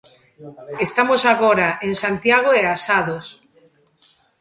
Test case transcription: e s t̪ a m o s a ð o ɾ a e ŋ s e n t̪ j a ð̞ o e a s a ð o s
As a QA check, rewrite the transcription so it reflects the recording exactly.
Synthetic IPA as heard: e s t̪ a m o s a ɣ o ɾ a e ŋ s a n t̪ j a ɣ̞ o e a s a ð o s